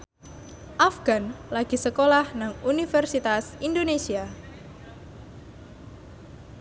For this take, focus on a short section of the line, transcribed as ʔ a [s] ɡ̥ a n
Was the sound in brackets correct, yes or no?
no